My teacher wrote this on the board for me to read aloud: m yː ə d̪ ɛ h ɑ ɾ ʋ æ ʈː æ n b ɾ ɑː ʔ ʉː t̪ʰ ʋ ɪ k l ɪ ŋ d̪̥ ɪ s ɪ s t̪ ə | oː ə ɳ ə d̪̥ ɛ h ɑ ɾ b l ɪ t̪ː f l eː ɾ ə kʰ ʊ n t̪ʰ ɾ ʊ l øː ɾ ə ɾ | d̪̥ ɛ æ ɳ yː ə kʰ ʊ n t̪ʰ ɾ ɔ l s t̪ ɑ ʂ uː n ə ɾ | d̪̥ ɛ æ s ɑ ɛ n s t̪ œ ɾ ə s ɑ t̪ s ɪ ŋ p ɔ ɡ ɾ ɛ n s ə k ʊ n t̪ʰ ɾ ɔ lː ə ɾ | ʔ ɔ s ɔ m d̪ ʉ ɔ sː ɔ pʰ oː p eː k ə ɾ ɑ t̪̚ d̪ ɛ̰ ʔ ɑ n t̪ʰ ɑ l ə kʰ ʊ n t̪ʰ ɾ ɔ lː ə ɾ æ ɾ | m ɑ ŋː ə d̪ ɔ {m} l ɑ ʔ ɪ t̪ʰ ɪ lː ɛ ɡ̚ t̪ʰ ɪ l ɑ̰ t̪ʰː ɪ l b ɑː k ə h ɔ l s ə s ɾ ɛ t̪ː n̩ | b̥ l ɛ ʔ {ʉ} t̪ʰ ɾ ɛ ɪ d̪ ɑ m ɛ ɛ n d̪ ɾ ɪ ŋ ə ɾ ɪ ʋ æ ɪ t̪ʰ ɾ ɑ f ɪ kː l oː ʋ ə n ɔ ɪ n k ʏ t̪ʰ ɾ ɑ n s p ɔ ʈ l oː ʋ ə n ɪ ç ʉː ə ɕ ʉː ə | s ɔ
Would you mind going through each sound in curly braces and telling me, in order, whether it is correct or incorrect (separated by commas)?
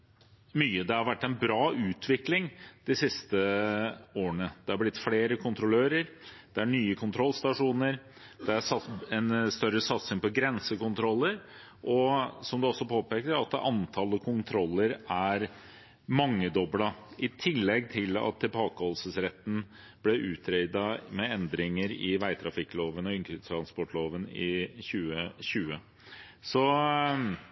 incorrect, incorrect